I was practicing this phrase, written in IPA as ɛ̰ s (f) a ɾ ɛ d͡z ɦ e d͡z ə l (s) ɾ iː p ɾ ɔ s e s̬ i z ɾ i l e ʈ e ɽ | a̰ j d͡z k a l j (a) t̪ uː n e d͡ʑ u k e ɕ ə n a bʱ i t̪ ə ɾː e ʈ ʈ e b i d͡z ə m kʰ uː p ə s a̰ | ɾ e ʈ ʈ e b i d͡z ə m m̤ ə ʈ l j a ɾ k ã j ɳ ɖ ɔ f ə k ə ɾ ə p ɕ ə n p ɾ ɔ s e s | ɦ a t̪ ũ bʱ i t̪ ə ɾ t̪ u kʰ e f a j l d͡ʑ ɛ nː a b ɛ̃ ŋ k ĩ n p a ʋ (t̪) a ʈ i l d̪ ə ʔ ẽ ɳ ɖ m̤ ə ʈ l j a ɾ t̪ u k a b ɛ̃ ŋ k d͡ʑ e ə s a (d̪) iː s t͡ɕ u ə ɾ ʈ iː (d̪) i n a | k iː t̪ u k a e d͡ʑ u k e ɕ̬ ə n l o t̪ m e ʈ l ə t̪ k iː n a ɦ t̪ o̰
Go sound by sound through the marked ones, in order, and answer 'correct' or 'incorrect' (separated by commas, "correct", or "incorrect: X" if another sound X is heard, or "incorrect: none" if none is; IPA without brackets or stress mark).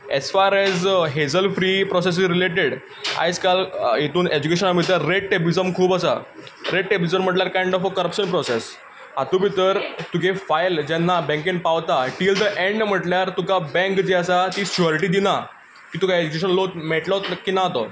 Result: correct, incorrect: f, incorrect: e, correct, incorrect: t̪, correct